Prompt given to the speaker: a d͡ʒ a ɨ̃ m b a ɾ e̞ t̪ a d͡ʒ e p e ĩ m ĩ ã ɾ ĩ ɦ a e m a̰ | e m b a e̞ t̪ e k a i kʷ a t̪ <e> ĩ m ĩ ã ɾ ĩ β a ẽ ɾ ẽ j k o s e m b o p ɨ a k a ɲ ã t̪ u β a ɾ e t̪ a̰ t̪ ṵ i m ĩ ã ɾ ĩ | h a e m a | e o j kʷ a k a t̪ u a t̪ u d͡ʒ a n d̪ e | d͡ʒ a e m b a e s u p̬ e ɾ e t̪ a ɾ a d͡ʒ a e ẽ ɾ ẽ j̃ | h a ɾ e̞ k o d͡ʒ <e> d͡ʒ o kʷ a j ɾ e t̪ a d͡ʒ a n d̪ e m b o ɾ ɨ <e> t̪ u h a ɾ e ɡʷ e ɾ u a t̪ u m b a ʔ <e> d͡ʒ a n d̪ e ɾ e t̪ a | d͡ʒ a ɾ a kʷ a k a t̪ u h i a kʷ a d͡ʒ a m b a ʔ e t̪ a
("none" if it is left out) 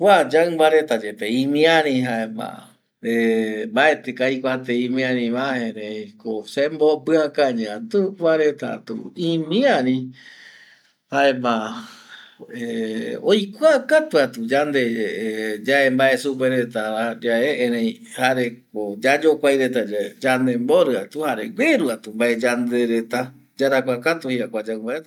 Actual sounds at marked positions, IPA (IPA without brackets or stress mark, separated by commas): e, a, a, e